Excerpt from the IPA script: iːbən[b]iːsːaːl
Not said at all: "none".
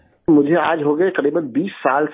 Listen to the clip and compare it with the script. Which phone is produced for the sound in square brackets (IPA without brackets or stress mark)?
b